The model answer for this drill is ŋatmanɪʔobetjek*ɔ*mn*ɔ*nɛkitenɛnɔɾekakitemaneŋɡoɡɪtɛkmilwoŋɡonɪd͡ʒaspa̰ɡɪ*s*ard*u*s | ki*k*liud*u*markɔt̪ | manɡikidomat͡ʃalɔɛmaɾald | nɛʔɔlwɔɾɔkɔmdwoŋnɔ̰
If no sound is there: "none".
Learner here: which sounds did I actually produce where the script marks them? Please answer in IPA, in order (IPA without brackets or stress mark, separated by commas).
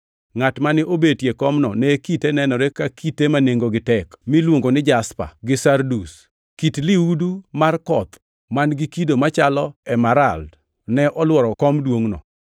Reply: ɔ, ɔ, s, u, t, u